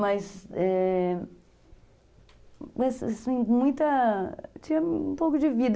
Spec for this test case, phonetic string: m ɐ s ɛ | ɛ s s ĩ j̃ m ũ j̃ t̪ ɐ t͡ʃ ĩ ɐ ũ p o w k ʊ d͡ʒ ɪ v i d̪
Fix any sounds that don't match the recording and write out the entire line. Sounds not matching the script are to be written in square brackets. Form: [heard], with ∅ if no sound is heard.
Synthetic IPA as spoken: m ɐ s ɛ | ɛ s s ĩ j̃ m ũ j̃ t̪ ɐ t͡ʃ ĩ ɐ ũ p o w k ʊ d͡ʒ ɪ v i d̪